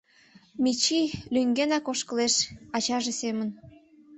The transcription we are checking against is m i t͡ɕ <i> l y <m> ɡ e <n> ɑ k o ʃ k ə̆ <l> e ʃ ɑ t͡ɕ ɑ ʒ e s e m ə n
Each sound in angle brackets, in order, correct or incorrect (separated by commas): correct, incorrect, correct, correct